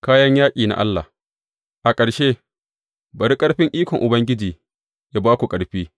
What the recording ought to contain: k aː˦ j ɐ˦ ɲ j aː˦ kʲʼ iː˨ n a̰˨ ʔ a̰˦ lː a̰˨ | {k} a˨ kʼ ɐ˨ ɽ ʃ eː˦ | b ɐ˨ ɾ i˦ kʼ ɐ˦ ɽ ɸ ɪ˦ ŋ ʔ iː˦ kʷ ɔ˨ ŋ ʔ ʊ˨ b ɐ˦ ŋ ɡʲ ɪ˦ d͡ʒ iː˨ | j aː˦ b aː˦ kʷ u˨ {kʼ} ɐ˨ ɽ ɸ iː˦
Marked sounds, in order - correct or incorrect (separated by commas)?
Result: incorrect, correct